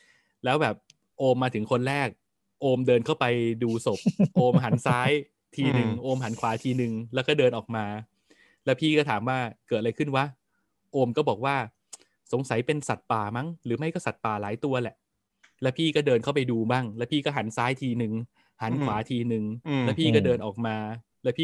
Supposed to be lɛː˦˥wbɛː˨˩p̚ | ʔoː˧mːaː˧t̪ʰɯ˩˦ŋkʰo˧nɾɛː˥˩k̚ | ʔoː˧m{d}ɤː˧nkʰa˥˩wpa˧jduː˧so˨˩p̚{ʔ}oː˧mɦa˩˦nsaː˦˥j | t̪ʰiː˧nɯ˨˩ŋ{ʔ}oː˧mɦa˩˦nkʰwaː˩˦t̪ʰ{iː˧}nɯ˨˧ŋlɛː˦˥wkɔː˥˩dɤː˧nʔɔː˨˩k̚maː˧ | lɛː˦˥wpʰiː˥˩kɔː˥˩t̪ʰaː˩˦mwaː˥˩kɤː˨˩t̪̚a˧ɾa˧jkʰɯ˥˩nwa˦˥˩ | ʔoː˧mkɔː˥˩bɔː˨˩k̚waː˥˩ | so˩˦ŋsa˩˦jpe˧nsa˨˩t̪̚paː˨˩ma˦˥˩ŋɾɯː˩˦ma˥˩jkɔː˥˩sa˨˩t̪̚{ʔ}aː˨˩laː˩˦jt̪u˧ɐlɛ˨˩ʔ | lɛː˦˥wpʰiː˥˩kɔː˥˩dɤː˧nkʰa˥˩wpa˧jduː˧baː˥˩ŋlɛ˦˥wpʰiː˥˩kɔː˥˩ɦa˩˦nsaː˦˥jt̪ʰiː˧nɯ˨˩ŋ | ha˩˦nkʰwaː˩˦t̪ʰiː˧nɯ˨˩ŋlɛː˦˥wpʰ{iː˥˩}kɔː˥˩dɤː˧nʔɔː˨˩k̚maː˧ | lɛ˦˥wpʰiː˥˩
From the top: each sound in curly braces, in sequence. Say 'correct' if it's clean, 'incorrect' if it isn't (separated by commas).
correct, correct, correct, correct, incorrect, correct